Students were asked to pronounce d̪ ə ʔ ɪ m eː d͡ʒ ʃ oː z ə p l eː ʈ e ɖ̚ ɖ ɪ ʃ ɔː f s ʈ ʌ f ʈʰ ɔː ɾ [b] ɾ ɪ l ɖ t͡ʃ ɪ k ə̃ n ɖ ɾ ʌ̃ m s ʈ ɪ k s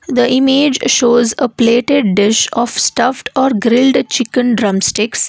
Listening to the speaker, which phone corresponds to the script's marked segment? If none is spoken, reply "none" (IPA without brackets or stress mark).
ɡ